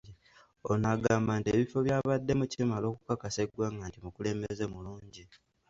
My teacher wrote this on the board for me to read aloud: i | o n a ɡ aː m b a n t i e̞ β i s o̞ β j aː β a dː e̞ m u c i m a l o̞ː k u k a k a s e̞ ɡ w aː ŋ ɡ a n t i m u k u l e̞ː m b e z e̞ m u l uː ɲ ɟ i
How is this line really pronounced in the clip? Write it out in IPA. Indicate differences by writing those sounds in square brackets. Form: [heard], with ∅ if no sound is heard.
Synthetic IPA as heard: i | o n a ɡ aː m b a n t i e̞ β i [f] o̞ β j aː β a dː e̞ m u c i m a l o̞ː k u k a k a s e̞ ɡ w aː ŋ ɡ a n t i m u k u l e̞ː m b e z e̞ m u l uː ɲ ɟ i